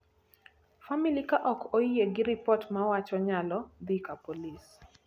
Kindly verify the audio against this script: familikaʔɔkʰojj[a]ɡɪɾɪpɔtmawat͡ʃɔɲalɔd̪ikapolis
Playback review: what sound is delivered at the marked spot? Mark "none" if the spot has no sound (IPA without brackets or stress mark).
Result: e